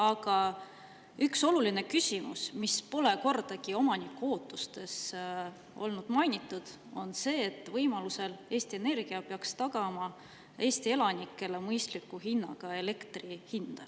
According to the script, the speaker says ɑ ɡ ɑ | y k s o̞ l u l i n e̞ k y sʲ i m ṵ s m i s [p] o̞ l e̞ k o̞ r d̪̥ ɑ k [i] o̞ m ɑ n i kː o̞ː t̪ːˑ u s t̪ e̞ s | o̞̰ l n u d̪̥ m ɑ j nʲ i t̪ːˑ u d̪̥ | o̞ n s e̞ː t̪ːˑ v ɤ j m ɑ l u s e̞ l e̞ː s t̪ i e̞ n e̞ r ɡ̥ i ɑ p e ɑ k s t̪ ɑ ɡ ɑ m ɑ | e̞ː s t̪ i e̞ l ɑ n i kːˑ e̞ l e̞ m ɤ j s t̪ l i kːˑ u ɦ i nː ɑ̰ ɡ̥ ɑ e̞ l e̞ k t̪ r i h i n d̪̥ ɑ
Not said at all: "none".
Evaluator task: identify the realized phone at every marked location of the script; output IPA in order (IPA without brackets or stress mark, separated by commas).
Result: p, i